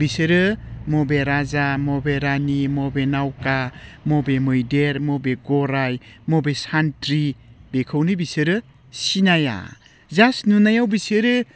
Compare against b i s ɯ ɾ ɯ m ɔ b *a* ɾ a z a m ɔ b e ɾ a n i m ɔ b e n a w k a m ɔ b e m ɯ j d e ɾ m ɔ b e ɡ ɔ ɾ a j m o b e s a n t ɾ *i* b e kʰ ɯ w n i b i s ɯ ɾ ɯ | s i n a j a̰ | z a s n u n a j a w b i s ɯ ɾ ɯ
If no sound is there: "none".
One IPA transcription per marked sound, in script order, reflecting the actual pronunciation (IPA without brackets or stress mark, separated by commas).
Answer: e, i